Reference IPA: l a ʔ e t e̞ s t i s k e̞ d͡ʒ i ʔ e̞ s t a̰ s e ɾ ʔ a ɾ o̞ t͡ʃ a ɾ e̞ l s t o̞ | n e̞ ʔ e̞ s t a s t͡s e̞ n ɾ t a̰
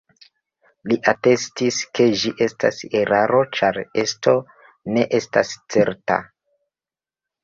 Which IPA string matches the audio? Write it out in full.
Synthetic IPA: l i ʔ a t e̞ s t i s k e̞ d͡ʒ i ʔ e̞ s t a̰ s e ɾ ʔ a ɾ o̞ t͡ʃ a ɾ e̞ s t o̞ | n e̞ ʔ e̞ s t a s t͡s e̞ ɾ t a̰